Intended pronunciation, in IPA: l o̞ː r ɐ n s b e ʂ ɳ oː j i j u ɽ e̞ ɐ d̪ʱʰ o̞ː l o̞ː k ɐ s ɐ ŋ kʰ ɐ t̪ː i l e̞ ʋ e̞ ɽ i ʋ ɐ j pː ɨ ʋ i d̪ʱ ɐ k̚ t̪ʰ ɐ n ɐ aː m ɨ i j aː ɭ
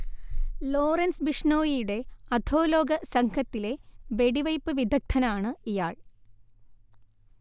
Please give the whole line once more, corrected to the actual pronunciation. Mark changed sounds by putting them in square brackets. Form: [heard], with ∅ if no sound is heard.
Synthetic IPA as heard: l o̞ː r ɐ n s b [i] ʂ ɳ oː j i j u ɽ e̞ ɐ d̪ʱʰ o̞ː l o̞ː [ɡ] ɐ s ɐ ŋ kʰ ɐ t̪ː i l e̞ ʋ e̞ ɽ i ʋ ɐ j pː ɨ ʋ i d̪ʱ ɐ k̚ t̪ʰ ɐ n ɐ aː [ɳ] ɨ i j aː ɭ

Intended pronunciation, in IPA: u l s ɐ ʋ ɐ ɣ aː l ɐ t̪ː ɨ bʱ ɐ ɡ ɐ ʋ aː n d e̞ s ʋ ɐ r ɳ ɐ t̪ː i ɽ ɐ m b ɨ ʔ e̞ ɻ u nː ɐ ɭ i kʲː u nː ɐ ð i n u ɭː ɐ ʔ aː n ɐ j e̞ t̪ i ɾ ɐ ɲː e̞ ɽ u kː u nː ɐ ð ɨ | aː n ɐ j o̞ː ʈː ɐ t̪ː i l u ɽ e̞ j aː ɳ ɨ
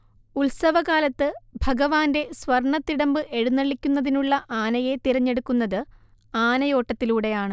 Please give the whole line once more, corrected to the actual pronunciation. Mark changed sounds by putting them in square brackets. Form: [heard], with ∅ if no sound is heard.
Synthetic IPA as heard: u l s ɐ ʋ ɐ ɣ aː l ɐ t̪ː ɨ bʱ ɐ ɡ ɐ ʋ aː n d e̞ s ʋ ɐ r ɳ ɐ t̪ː i ɽ ɐ m b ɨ ʔ e̞ ɻ u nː ɐ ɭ i kʲː u nː ɐ ð i n u ɭː ɐ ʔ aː n ɐ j e̞ t̪ i ɾ ɐ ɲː e̞ ɽ u kː u nː ɐ ð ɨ | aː n ɐ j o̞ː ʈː ɐ t̪ː i l [uː] ɽ e̞ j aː ɳ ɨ

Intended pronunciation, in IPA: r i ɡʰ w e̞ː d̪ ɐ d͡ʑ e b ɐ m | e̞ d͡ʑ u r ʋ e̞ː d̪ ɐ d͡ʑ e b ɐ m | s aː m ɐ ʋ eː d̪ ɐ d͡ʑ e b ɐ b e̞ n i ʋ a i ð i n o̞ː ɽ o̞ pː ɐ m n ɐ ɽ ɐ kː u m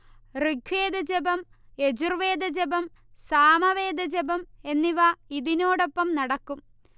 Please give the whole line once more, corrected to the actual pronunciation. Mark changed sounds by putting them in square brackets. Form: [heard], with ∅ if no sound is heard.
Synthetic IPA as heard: r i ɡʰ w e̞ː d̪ ɐ d͡ʑ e b ɐ m | e̞ d͡ʑ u r ʋ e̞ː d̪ ɐ d͡ʑ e b ɐ m | s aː m ɐ ʋ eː d̪ ɐ d͡ʑ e b ɐ [m] e̞ [nː] i ʋ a i ð i n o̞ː ɽ o̞ pː ɐ m n ɐ ɽ ɐ kː u m

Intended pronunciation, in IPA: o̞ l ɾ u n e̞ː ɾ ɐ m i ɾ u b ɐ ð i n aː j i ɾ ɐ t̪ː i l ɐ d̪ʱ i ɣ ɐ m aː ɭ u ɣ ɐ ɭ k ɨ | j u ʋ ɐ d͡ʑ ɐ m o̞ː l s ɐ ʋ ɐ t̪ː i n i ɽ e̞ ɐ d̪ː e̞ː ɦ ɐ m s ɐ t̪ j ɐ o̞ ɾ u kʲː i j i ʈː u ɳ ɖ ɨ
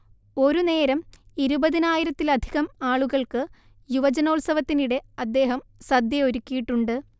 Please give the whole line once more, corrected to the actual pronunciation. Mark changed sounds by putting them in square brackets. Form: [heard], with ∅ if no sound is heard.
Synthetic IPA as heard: o̞ [∅] ɾ u n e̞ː ɾ ɐ m i ɾ u b ɐ ð i n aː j i ɾ ɐ t̪ː i l ɐ d̪ʱ i ɣ ɐ m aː ɭ u ɣ ɐ ɭ k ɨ | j u ʋ ɐ d͡ʑ ɐ [n] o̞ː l s ɐ ʋ ɐ t̪ː i n i ɽ e̞ ɐ d̪ː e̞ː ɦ ɐ m s ɐ [d̪] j ɐ o̞ ɾ u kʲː i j i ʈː u ɳ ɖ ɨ

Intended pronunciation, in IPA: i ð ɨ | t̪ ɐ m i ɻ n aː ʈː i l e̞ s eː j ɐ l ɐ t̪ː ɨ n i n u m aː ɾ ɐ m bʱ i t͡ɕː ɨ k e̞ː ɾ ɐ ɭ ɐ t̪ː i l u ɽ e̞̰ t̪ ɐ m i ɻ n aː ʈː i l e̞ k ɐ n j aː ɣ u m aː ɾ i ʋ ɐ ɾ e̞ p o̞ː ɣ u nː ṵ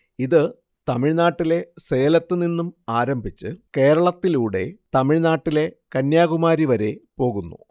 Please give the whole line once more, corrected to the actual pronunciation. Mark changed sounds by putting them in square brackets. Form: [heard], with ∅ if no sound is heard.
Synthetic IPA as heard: i ð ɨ | t̪ ɐ m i ɻ n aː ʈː i l e̞ s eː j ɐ l ɐ t̪ː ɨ n i [nː] u m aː ɾ ɐ m bʱ i t͡ɕː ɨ k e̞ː ɾ ɐ ɭ ɐ t̪ː i l [uː] ɽ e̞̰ t̪ ɐ m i ɻ n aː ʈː i l e̞ k ɐ n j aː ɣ u m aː ɾ i ʋ ɐ ɾ e̞ p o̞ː ɣ u nː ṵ

